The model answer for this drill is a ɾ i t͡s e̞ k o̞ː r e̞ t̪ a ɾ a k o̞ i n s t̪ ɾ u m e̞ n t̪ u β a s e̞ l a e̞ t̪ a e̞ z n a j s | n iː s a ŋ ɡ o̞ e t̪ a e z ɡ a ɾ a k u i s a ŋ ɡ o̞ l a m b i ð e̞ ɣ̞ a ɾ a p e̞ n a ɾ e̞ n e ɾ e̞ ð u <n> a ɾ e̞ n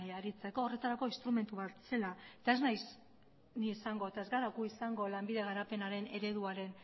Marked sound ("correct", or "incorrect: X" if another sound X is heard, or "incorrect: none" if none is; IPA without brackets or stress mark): incorrect: none